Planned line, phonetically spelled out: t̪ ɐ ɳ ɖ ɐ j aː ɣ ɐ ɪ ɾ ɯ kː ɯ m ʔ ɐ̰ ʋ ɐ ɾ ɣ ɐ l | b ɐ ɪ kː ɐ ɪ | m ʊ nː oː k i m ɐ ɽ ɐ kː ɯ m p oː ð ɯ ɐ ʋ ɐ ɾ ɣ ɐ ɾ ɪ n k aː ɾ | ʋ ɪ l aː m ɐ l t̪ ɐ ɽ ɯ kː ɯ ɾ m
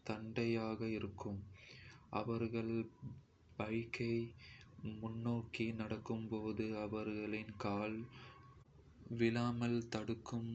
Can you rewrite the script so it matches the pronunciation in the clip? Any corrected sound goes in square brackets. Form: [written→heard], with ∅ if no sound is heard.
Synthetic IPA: t̪ ɐ ɳ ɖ ɐ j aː ɣ ɐ ɪ ɾ ɯ kː ɯ m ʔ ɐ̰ ʋ ɐ ɾ ɣ ɐ [l→ɭ] | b ɐ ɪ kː ɐ ɪ | m ʊ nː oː k i [m→n] ɐ ɽ ɐ kː ɯ m p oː ð ɯ ɐ ʋ ɐ ɾ ɣ ɐ [ɾ→ɭ] ɪ n k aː [ɾ→l] | ʋ ɪ l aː m ɐ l t̪ ɐ ɽ ɯ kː ɯ [ɾ→∅] m